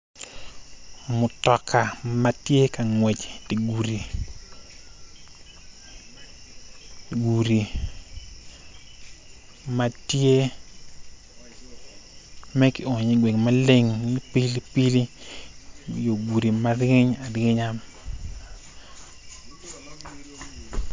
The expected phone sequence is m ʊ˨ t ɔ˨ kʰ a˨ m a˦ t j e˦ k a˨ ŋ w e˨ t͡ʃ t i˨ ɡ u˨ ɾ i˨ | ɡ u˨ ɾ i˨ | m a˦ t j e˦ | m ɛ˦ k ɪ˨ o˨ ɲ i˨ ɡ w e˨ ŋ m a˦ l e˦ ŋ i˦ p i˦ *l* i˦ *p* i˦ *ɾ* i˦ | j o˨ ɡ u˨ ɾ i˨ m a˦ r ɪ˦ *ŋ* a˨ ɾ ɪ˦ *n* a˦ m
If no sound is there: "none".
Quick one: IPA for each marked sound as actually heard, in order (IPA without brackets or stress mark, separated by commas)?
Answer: l, p, l, ɲ, ɲ